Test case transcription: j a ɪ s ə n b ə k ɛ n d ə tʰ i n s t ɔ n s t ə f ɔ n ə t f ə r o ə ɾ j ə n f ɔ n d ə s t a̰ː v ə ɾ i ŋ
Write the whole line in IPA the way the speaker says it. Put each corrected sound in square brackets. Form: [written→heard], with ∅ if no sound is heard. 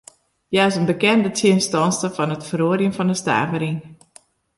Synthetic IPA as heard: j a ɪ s ə n b ə k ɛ n d ə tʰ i n s t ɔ n s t ə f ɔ n ə t f ə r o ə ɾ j ə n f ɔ n d ə s t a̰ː v ə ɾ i ŋ